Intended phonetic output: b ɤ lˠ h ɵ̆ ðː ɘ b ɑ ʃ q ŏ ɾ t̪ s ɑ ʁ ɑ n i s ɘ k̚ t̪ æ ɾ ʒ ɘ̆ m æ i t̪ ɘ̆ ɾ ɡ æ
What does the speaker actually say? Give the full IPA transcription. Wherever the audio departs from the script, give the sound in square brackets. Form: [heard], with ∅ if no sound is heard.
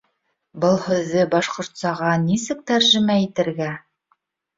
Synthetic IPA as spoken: b ɤ lˠ h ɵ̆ ðː ɘ b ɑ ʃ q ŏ ɾ t̪ s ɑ ʁ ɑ n i s ɘ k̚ t̪ æ ɾ ʒ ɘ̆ m æ i t̪ ɘ̆ ɾ ɡ æ